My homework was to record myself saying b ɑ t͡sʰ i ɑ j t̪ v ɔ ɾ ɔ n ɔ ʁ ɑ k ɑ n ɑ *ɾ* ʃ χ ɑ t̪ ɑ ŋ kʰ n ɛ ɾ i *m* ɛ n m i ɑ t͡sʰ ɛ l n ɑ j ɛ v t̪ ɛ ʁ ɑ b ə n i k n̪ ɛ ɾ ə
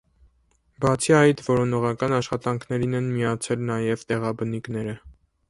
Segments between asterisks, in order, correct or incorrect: incorrect, incorrect

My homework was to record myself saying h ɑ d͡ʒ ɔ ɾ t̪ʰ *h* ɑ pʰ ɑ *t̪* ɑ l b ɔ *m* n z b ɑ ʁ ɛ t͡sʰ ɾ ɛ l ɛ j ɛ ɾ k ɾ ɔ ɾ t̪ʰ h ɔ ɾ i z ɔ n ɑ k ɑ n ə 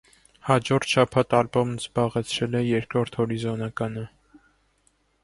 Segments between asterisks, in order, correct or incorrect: incorrect, correct, correct

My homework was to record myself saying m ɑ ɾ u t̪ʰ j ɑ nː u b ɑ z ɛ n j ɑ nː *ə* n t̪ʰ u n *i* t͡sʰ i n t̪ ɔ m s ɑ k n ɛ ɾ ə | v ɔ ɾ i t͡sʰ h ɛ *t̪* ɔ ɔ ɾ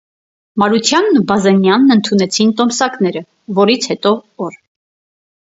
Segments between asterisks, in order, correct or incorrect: correct, incorrect, correct

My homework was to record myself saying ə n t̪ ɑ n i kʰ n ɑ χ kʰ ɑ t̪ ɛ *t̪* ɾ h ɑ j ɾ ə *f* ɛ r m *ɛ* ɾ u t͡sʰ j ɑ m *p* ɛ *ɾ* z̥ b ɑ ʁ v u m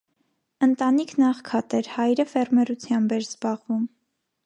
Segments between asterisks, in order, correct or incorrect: incorrect, correct, correct, incorrect, correct

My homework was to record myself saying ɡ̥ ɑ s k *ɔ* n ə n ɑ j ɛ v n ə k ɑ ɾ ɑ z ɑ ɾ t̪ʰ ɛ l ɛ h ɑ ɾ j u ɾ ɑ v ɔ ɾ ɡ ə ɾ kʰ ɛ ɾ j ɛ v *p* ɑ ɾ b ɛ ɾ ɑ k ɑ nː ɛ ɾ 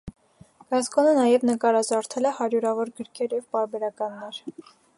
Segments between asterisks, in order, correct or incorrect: correct, correct

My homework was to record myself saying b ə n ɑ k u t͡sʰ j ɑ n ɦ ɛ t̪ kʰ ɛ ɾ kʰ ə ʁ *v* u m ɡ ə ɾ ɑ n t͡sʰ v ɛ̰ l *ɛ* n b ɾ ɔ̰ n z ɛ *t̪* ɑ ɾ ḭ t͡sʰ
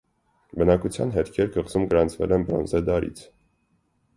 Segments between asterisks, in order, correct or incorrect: incorrect, correct, incorrect

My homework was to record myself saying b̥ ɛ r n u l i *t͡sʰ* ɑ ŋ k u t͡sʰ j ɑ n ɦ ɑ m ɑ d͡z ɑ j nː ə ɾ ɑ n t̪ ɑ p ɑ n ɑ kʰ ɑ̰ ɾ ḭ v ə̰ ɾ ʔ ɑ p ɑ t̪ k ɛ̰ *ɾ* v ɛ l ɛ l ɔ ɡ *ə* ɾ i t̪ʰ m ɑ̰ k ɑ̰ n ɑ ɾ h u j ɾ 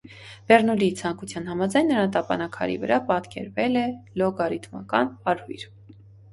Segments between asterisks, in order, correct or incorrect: correct, correct, incorrect

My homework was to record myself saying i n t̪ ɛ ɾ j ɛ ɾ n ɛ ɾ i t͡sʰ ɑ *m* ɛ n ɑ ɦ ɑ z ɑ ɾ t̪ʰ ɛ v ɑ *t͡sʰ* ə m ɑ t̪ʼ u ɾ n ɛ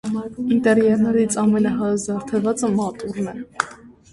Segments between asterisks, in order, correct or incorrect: correct, incorrect

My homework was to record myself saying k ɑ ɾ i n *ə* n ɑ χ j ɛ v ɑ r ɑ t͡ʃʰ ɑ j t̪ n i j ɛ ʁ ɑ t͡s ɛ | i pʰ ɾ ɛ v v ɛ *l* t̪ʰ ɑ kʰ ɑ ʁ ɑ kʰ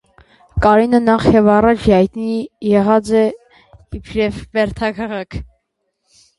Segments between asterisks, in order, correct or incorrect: correct, incorrect

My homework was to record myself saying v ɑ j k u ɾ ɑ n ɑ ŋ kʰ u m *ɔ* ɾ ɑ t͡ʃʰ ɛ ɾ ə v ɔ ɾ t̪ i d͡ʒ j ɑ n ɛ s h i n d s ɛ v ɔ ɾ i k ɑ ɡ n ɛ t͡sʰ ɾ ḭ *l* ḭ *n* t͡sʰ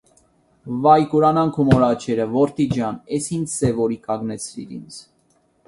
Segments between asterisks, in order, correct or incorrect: correct, incorrect, correct

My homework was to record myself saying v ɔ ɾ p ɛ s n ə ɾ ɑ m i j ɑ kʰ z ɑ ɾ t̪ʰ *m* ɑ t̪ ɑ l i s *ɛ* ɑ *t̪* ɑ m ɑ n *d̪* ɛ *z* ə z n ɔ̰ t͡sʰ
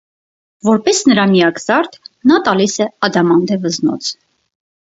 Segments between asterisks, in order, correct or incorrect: incorrect, correct, incorrect, correct, incorrect

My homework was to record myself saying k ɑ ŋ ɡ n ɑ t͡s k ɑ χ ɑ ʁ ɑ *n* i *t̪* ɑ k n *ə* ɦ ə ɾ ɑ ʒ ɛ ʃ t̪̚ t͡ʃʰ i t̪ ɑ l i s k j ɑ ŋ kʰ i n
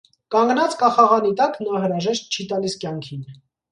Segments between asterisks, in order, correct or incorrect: correct, correct, incorrect

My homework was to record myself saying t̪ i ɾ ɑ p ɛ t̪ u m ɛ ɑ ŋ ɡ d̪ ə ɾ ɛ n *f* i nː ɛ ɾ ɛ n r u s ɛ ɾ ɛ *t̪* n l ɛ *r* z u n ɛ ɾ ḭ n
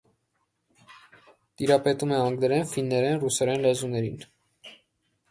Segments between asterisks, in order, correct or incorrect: correct, incorrect, incorrect

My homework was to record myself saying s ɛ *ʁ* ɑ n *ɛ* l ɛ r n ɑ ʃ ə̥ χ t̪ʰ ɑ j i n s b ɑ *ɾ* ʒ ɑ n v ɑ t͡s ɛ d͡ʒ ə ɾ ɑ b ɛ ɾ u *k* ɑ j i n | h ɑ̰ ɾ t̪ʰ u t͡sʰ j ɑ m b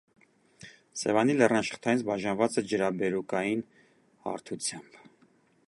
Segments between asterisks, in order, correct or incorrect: incorrect, incorrect, incorrect, correct

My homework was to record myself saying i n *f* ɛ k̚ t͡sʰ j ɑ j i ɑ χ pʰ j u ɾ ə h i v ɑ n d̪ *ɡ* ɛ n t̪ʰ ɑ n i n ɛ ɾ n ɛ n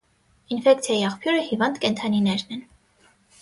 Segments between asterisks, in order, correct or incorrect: correct, incorrect

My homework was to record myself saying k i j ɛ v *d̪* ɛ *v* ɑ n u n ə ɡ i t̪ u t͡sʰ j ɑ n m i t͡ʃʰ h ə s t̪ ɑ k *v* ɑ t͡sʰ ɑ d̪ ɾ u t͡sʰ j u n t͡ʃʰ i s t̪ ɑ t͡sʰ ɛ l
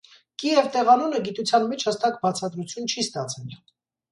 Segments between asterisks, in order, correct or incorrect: incorrect, incorrect, incorrect

